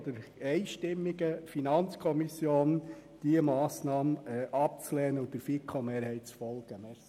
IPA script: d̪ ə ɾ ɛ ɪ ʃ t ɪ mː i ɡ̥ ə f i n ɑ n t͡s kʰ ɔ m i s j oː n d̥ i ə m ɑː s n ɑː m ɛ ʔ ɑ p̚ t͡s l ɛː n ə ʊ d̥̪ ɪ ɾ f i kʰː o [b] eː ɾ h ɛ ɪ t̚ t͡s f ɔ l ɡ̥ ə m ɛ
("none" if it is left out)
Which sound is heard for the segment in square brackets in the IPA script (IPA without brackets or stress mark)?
m